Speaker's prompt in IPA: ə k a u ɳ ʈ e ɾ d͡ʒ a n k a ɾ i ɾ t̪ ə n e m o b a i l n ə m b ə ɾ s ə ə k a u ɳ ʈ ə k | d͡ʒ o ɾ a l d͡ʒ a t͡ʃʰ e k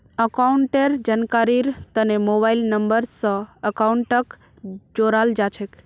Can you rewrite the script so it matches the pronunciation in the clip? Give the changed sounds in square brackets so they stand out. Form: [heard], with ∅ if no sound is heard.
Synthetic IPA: ə k a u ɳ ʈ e ɾ d͡ʒ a n k a ɾ i ɾ t̪ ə n e m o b a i l n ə m b ə ɾ s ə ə k a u ɳ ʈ ə k | d͡ʒ o ɾ a l d͡ʒ a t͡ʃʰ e k